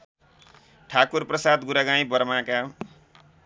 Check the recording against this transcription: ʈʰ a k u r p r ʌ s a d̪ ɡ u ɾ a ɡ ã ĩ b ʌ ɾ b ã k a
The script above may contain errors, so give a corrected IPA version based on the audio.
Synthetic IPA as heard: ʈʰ a k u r p r ʌ s a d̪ ɡ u ɾ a ɡ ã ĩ b ʌ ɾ m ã k a